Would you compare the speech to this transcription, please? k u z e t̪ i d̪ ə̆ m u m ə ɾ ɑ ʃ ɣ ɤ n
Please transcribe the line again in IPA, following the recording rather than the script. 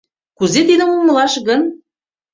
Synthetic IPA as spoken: k u z e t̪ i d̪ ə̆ m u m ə l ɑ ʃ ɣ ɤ n

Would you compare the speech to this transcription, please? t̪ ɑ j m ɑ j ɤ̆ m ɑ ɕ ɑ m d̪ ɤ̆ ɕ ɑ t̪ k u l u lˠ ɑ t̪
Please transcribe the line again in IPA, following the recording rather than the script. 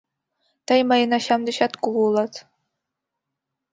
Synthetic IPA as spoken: t̪ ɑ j m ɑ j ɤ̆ n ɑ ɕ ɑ m d̪ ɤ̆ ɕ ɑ t̪ k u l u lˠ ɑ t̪

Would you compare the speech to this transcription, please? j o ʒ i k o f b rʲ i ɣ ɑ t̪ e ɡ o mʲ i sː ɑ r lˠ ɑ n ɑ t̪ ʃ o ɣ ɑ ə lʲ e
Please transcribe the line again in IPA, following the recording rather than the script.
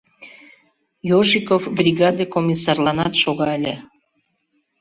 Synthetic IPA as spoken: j o ʒ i k o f b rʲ i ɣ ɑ d̪ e k o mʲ i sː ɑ r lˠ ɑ n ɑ t̪ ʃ o ɣ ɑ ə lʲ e

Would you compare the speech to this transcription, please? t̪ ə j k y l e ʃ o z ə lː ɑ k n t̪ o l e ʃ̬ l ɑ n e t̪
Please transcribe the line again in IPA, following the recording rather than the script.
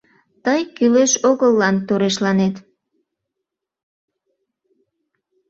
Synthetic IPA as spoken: t̪ ə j k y l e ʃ o ɣ ə lː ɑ n t̪ o ɾ e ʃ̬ l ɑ n e t̪

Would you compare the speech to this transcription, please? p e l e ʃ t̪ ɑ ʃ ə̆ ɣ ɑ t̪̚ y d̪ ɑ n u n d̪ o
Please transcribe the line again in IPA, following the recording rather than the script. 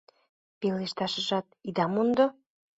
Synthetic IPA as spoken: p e l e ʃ t̪ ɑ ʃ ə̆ ʒ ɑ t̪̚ i d̪ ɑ m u n d̪ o

